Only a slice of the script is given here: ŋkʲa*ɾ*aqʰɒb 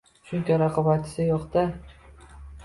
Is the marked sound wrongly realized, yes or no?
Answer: no